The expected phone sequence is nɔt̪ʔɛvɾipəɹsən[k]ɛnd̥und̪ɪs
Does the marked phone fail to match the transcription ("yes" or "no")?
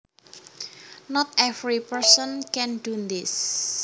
no